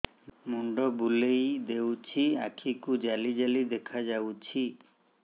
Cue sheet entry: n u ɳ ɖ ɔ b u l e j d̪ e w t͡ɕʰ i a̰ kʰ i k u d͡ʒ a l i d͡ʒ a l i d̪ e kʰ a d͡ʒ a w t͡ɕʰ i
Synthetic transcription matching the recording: m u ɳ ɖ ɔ b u l e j d̪ e w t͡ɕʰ i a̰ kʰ i k u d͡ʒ a l i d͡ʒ a l i d̪ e kʰ a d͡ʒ a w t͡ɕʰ i